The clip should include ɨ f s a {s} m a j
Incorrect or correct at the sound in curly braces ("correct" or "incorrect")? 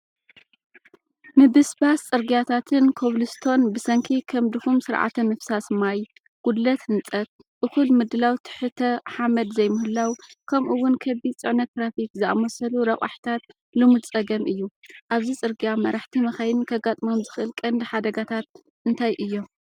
correct